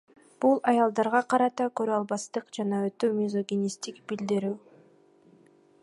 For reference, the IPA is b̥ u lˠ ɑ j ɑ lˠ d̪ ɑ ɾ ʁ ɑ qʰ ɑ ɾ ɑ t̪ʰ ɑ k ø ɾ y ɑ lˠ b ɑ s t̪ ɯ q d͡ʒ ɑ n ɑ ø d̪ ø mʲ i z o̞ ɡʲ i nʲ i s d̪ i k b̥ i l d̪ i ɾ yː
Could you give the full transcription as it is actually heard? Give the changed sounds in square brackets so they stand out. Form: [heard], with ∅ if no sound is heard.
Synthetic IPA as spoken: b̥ u lˠ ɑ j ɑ lˠ d̪ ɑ ɾ ʁ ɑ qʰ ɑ ɾ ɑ [t̪] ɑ k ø ɾ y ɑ lˠ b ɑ s t̪ ɯ q d͡ʒ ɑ n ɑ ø [t̪] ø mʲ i z o̞ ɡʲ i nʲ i s [t̪] i k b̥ i l d̪ i ɾ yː